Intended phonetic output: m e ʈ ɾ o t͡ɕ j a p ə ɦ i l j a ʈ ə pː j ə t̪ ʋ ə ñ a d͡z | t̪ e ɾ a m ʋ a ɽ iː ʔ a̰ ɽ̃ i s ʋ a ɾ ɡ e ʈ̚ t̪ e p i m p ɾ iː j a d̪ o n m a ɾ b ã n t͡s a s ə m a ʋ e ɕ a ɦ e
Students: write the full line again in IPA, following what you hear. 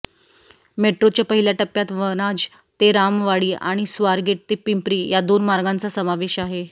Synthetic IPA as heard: m e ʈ ɾ o t͡ɕ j a p ə ɦ i l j a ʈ ə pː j a t̪ ʋ ə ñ a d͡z | t̪ e ɾ a m ʋ a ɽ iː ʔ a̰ ɽ̃ i s ʋ a ɾ ɡ e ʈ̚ t̪ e p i m p ɾ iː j a d̪ o n m a ɾ ɡ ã n t͡s a s ə m a ʋ e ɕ a ɦ e